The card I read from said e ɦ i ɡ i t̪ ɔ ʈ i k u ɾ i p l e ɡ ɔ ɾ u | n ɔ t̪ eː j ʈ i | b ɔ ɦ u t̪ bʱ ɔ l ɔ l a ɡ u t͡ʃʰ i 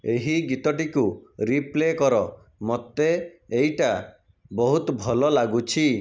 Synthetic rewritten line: e ɦ i ɡ i t̪ ɔ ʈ i k u ɾ i p l e k ɔ ɾ ɔ | m ɔ t̪ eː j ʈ a | b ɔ ɦ u t̪ bʱ ɔ l ɔ l a ɡ u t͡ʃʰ i